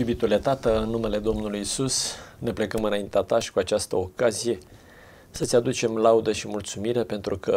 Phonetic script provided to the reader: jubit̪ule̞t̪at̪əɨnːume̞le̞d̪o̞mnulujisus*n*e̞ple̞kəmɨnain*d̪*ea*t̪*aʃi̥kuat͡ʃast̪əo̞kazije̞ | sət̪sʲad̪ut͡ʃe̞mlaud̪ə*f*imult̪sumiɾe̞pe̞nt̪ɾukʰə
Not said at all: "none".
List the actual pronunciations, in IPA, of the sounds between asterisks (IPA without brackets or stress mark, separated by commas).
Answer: n, t̪, t̪, ʃ